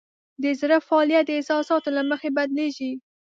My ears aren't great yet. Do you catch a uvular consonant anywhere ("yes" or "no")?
no